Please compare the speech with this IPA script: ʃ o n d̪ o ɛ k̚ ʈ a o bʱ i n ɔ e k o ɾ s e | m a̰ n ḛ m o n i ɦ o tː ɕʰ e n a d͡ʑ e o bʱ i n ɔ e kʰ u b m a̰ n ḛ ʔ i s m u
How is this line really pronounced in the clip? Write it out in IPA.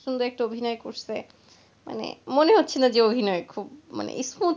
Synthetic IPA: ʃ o n d̪ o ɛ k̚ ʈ a o bʱ i n ɔ e k o ɾ s e | m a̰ n ḛ m o n e ɦ o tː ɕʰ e n a d͡ʑ e o bʱ i n ɔ e kʰ u b m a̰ n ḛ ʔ i s m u